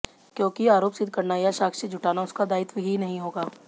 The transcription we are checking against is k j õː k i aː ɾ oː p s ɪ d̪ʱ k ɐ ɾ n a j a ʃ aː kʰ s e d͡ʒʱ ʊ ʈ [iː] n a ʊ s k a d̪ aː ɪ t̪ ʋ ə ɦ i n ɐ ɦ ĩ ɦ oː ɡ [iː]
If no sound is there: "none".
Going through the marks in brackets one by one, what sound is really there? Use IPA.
aː, aː

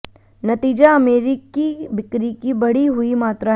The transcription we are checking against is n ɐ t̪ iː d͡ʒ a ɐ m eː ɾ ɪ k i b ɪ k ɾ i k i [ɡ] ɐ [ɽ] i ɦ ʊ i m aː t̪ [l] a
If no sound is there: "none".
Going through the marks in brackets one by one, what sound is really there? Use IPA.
b, ɽ, ɾ

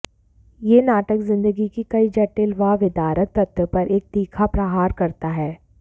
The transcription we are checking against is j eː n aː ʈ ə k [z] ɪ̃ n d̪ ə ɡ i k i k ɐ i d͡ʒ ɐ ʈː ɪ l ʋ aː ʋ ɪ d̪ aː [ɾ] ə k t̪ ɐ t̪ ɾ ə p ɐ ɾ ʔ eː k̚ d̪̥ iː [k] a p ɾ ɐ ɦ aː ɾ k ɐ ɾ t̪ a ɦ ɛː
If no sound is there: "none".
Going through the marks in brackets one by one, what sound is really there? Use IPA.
z, ɾ, kʰ

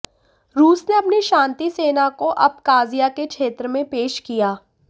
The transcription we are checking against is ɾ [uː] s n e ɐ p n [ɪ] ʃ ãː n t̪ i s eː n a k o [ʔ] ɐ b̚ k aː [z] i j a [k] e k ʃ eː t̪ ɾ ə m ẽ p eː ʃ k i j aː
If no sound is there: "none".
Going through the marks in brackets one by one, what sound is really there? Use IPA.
uː, i, ʔ, z, k

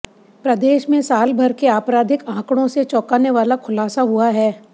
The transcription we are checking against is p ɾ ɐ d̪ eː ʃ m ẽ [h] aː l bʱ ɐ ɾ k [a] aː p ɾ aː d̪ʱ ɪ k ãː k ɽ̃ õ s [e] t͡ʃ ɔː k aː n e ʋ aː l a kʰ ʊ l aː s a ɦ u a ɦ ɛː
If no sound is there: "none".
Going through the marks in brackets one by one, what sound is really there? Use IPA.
s, e, e

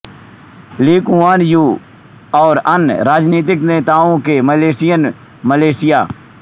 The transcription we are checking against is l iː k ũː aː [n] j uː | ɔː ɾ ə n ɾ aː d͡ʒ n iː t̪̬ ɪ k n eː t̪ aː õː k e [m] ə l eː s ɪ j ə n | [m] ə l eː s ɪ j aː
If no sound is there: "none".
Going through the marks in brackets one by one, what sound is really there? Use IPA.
n, m, m

